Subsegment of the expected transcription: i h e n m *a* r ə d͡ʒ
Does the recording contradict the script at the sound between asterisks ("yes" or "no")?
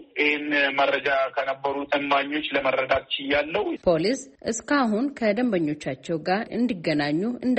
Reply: yes